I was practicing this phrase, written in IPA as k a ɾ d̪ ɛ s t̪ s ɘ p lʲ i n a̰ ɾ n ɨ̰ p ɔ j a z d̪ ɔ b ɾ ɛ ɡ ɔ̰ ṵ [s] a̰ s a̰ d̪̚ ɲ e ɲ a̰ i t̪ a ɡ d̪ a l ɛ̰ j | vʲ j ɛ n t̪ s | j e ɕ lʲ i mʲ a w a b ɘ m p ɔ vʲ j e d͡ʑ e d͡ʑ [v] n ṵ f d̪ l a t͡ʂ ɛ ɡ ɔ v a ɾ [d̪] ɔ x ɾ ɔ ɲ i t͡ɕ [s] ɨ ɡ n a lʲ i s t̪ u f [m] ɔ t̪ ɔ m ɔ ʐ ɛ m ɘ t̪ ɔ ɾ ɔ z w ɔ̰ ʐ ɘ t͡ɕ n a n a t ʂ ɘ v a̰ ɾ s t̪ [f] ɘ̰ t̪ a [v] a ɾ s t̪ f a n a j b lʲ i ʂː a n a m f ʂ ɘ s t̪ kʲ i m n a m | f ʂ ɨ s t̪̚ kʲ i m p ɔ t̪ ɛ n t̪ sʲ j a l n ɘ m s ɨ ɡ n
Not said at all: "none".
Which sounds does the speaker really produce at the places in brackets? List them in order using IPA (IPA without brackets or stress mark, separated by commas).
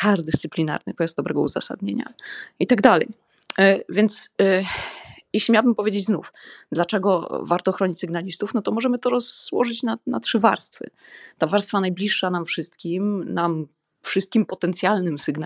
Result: z, z, t̪, s, n, f, v